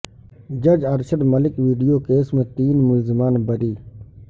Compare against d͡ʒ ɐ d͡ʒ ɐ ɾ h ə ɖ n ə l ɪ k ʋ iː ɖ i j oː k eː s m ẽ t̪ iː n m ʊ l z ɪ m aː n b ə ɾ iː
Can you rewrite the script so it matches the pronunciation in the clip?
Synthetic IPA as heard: d͡ʒ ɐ d͡ʒ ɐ ɾ ʃ ə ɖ m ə l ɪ k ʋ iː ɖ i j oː k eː s m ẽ t̪ iː n m ʊ l z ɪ m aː n b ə ɾ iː